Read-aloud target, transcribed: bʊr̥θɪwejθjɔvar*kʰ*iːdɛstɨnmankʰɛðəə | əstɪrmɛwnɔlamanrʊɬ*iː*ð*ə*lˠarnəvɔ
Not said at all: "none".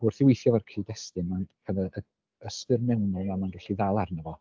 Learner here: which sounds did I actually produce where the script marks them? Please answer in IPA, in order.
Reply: kʰ, i, a

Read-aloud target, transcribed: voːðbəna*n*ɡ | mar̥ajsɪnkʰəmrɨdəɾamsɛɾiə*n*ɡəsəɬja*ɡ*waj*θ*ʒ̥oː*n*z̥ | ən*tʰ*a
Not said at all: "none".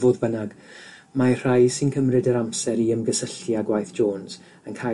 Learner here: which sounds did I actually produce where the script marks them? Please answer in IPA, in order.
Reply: none, m, ɡ, θ, n, kʰ

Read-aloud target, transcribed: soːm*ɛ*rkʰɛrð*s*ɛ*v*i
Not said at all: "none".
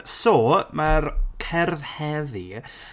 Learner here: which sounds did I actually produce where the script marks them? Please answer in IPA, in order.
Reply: a, h, ð

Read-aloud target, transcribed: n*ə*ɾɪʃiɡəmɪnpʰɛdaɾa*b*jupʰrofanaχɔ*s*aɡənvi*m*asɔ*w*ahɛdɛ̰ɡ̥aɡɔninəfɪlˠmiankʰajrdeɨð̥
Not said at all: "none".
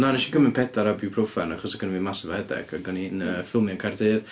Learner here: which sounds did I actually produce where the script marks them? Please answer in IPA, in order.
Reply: a, b, s, m, v

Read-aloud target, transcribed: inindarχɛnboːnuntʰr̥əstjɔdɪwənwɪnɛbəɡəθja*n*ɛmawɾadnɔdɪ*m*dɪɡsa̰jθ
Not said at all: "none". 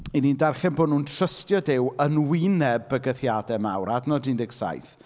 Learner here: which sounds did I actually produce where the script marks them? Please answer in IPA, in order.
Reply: d, n

